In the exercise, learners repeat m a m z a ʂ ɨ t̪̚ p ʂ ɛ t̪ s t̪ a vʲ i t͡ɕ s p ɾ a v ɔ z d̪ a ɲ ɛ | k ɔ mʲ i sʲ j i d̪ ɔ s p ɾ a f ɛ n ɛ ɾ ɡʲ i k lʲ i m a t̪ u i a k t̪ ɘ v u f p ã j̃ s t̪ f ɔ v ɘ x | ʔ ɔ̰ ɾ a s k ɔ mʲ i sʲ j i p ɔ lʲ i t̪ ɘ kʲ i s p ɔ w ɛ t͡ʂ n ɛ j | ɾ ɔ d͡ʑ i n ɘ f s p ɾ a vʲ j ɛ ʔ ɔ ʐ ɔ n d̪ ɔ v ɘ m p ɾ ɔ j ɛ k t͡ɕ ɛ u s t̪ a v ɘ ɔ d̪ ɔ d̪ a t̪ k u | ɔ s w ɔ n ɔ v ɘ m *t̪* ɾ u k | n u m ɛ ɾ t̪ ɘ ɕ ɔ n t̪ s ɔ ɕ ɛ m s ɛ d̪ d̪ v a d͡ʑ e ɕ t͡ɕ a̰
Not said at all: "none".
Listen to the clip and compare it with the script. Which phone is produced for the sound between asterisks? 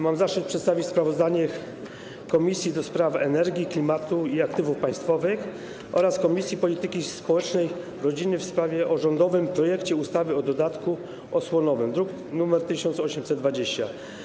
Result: d̪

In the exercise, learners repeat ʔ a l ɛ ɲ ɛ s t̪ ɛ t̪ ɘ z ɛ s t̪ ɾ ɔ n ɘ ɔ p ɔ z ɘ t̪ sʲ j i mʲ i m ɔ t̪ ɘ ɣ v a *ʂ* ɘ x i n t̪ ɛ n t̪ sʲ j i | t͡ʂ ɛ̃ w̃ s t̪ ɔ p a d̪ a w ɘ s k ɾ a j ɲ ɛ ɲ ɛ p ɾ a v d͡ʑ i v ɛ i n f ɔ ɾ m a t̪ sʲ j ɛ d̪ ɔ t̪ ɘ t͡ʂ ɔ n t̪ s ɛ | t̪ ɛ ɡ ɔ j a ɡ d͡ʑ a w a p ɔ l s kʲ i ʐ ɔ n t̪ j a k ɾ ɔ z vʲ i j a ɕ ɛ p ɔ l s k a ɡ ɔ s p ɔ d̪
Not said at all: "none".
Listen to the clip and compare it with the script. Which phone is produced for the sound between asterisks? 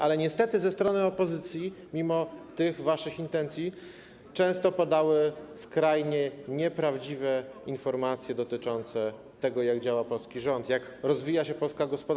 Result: ʂ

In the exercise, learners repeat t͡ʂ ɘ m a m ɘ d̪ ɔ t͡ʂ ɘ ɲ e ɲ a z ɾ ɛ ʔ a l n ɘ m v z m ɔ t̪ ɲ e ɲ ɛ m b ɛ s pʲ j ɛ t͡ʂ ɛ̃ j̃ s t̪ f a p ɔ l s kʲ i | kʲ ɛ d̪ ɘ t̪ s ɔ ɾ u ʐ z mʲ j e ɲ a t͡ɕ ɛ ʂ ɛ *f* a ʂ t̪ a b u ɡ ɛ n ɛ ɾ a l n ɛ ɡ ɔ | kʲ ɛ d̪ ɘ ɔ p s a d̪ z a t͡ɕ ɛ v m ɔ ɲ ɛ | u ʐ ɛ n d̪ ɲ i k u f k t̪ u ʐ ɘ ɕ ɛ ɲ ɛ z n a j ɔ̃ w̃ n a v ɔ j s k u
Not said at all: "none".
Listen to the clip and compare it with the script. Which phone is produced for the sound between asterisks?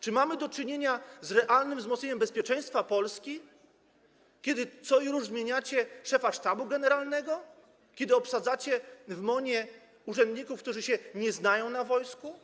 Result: f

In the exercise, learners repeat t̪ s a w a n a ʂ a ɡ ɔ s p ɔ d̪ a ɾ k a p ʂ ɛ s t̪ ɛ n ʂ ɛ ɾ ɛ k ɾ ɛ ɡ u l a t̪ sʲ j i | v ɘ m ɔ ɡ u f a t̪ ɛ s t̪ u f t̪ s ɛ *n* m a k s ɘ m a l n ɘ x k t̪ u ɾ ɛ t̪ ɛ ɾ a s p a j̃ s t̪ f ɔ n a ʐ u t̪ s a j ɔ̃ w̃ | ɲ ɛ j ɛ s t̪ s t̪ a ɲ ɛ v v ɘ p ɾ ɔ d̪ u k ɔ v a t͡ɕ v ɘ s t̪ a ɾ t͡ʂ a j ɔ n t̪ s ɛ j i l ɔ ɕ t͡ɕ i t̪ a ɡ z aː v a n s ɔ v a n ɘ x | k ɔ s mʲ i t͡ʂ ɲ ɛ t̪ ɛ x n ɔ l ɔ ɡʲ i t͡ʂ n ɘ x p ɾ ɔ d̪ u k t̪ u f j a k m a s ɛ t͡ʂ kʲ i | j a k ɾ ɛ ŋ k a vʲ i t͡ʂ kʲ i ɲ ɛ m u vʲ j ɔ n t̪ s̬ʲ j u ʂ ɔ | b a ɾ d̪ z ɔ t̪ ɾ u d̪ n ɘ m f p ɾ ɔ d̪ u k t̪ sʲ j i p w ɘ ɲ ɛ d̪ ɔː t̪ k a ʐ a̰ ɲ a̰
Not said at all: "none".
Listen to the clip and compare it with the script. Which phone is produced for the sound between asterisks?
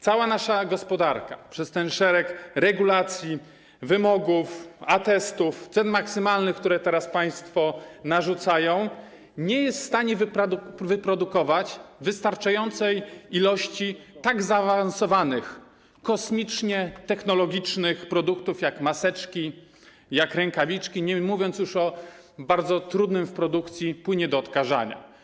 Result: n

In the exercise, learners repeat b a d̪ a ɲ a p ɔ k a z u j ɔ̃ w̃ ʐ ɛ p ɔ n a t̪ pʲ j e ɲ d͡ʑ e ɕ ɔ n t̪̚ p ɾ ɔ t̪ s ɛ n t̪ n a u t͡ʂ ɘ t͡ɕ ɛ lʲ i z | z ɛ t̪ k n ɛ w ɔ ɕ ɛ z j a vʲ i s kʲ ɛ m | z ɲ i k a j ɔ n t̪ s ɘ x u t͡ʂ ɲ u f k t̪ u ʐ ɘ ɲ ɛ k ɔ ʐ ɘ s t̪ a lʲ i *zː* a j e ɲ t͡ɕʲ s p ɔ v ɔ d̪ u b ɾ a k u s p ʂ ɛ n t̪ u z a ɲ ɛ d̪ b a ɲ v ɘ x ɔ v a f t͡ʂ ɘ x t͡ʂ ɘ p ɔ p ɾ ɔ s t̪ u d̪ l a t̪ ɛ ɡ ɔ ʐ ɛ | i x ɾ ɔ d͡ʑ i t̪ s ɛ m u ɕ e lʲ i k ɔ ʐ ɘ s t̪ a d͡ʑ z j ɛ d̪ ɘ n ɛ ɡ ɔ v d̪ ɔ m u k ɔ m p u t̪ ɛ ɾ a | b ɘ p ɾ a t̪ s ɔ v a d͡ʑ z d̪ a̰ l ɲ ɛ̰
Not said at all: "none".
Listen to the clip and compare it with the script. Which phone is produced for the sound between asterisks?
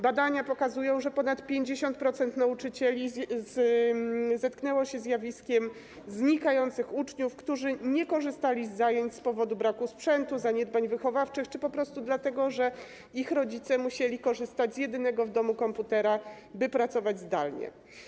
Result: zː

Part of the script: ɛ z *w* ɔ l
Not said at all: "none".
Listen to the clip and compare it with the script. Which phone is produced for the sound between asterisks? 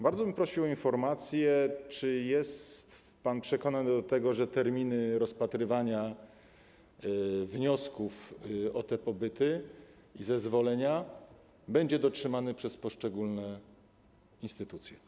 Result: v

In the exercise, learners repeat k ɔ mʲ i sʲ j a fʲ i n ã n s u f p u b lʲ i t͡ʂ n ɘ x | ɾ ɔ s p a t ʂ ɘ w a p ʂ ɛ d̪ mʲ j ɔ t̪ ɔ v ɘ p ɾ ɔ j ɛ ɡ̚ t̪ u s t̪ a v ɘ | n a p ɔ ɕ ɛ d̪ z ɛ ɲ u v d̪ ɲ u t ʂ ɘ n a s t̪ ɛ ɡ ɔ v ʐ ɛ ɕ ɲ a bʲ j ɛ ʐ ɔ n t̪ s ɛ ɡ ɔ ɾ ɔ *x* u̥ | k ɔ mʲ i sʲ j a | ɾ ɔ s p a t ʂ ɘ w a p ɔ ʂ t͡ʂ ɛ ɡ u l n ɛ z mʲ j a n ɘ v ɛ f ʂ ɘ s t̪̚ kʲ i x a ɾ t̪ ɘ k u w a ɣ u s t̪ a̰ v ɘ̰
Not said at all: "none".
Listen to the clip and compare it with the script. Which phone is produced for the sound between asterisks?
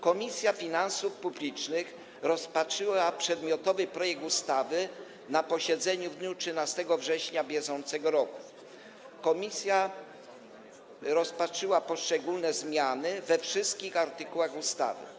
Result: k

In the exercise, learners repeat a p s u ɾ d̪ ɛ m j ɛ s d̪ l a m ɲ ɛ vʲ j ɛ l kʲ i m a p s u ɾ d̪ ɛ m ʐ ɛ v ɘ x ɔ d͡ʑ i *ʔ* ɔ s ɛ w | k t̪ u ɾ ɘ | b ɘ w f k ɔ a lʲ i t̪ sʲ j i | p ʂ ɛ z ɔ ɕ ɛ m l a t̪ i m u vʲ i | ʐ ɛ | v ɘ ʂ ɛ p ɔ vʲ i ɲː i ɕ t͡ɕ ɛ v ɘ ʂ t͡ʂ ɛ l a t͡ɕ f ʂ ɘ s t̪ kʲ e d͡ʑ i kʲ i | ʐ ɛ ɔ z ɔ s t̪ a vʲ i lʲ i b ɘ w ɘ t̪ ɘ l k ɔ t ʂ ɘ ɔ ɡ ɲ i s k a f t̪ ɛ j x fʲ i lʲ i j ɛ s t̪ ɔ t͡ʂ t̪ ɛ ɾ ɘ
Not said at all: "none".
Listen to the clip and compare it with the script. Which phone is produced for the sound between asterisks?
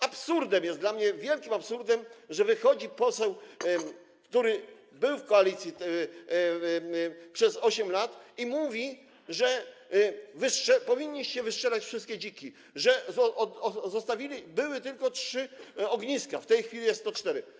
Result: p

